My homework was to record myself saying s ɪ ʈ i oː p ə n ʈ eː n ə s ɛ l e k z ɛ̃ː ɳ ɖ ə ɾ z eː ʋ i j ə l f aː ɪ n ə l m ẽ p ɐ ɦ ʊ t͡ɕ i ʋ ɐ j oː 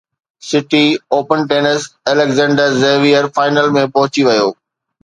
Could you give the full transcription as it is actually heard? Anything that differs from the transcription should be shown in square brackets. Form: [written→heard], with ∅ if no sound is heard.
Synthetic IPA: s ɪ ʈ i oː p ə n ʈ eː n ə s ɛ l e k z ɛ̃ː ɳ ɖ ə ɾ z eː ʋ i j ə [l→ɾ] f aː ɪ n ə l m ẽ p ɐ ɦ ʊ t͡ɕ i ʋ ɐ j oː